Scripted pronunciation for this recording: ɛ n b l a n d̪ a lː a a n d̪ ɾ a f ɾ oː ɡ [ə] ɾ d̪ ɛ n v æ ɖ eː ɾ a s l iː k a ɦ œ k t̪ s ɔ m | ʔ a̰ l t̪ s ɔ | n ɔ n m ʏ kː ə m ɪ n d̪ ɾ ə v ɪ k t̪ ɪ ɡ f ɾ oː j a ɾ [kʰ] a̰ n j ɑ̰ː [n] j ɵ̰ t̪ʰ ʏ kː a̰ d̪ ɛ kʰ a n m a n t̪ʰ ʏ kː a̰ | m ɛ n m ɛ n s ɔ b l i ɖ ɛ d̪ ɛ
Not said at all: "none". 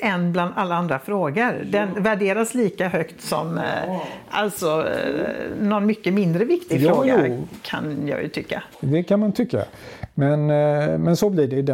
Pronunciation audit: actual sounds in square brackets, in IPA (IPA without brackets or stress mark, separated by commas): ə, kʰ, none